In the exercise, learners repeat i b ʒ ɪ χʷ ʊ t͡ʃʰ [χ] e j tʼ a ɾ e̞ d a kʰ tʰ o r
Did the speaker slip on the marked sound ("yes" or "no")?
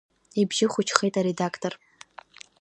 no